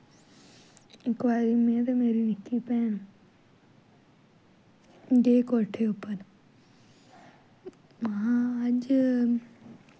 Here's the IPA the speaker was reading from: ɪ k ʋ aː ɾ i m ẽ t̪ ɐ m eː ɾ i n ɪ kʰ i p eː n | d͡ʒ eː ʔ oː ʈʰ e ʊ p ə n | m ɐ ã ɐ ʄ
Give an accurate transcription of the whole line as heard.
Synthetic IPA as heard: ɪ k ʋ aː ɾ i m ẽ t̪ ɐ m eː ɾ i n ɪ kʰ i p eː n | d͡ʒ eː k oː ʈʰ e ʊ p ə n | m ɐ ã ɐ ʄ